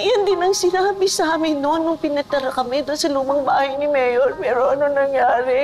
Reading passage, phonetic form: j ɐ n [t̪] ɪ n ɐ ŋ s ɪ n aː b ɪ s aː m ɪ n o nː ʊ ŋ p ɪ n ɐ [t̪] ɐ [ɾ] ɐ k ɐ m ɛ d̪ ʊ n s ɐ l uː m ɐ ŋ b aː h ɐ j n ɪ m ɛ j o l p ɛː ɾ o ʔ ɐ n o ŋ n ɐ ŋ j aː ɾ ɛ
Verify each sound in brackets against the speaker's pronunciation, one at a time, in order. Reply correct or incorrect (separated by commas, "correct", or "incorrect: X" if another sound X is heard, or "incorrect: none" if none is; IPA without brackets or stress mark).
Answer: incorrect: d̪, correct, correct